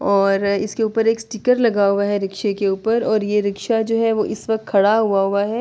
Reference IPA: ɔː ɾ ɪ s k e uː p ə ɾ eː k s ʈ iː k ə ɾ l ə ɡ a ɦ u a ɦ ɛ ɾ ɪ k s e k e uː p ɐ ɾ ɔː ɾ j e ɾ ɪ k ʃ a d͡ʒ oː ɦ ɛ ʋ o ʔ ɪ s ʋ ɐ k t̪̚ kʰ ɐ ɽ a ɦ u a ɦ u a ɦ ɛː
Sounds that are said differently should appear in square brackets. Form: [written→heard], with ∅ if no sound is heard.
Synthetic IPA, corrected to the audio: ɔː ɾ ɪ s k e uː p ə ɾ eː k s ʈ iː k ə ɾ l [ə→ɐ] ɡ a ɦ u a ɦ ɛ ɾ ɪ k [s→ʃ] e k e uː p [ɐ→ə] ɾ ɔː ɾ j e ɾ ɪ k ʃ a d͡ʒ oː ɦ ɛ ʋ o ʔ ɪ s ʋ ɐ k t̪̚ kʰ ɐ ɽ a ɦ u a ɦ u a ɦ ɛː